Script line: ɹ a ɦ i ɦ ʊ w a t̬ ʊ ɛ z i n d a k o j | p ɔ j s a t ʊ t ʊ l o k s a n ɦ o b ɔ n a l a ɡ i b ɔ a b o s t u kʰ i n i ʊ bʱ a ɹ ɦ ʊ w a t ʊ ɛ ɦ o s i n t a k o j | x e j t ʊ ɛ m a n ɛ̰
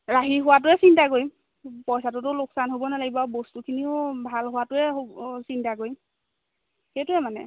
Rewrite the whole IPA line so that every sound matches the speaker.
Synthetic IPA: ɹ a ɦ i ɦ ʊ w a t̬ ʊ ɛ s i n t a k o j | p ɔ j s a t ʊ t ʊ l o k s a n ɦ o b ɔ n a l a ɡ i b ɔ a b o s t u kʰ i n i ʊ bʱ a l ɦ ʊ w a t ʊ ɛ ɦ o s i n t a k o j | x e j t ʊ ɛ m a n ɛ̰